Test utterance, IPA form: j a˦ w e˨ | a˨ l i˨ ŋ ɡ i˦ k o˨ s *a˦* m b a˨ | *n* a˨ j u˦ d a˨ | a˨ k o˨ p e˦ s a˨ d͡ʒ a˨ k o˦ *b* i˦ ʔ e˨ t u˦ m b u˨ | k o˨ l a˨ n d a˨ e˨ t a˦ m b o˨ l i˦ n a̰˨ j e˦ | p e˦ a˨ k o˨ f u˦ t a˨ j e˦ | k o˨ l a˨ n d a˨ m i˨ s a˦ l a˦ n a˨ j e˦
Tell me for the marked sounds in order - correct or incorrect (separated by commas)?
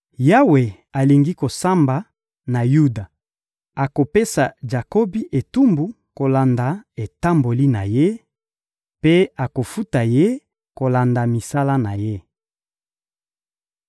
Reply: correct, correct, correct